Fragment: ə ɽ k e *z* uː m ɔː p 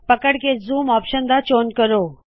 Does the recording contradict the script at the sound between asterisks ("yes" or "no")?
no